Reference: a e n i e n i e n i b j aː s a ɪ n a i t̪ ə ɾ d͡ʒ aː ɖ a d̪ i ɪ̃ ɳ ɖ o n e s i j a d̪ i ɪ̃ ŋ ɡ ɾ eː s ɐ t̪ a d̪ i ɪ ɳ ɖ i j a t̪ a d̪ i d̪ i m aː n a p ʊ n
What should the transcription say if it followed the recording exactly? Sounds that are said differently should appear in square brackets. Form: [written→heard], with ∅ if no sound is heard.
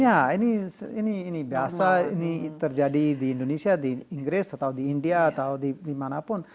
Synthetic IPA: a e n i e n i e n i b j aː s a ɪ n [a→i] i t̪ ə ɾ d͡ʒ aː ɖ [a→i] d̪ i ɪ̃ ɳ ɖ o n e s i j a d̪ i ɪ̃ ŋ ɡ ɾ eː s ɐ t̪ a d̪ i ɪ ɳ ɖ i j a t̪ a d̪ i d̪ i m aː n a p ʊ n